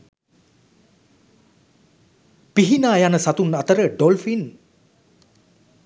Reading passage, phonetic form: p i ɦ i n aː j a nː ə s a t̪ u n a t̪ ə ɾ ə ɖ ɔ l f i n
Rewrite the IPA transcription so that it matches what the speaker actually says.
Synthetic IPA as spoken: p i ɦ i n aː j a n ə s a t̪ u n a t̪ ə ɾ ə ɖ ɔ l f i n

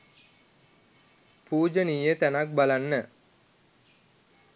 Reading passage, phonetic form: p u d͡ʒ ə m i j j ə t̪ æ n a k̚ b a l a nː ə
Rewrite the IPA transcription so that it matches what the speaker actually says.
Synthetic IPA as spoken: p uː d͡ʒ ə n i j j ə t̪ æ n a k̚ b a l a nː ə

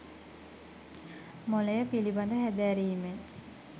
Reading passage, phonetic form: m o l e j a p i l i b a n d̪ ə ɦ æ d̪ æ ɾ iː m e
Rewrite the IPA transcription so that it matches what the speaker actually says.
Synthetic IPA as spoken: m o l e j ə p i l i b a n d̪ ə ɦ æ d̪ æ ɾ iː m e

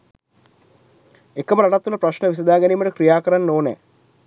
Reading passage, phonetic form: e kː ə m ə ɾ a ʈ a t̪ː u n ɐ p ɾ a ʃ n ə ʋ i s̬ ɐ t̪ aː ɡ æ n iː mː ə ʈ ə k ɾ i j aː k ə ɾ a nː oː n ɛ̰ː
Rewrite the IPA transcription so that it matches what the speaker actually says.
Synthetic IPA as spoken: e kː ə m ə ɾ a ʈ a t̪ː u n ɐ p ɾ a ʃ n ə ʋ i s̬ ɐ d̪ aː ɡ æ n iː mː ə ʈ ə k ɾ i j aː k ə ɾ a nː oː n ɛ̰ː

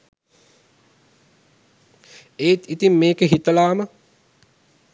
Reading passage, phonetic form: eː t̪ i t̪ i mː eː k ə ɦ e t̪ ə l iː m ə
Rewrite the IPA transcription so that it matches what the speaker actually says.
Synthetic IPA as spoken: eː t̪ i t̪ i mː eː k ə ɦ i t̪ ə l aː m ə

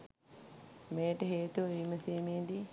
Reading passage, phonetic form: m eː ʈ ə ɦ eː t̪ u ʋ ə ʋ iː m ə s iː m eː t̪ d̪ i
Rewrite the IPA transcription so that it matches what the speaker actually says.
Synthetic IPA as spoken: m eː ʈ ə ɦ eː t̪ u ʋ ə ʋ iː m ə s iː m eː d̪ i

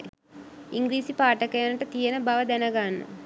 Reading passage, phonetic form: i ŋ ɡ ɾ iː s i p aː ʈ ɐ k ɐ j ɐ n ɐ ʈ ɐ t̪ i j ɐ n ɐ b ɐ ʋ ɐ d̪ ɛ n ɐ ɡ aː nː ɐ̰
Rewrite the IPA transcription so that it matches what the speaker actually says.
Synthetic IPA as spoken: i ŋ ɡ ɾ iː s i p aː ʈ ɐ k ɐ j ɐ n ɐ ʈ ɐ t̪ i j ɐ n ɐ b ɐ ʋ ɐ d̪ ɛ n ɐ ɡ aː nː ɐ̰

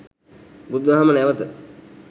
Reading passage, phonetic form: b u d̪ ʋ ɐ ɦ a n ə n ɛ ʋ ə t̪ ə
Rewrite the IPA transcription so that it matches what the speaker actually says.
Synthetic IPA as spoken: b u d̪ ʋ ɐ ɦ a m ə n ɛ ʋ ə t̪ ə

